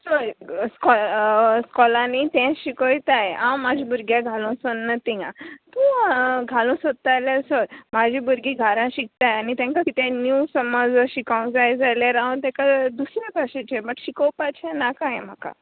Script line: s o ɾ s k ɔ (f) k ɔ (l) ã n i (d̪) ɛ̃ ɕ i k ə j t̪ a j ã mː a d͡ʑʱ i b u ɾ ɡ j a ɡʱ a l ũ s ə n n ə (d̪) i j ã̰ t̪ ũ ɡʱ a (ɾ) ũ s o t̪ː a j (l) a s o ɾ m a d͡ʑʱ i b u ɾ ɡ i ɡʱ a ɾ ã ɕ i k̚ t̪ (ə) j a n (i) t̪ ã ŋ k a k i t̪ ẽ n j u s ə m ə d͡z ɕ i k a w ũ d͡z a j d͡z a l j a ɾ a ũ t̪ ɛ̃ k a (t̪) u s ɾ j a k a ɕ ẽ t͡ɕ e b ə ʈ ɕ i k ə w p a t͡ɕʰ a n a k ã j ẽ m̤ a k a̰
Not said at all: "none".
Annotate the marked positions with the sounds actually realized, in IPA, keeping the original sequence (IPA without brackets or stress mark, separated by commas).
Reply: s, l, t̪, t̪, l, l, a, i, d̪